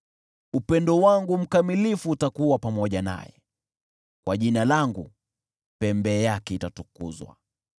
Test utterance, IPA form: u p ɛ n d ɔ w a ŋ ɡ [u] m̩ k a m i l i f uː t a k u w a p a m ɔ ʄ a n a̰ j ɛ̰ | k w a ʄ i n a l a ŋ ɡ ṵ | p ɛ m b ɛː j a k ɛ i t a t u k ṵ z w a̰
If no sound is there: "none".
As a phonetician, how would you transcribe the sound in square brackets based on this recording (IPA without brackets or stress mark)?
u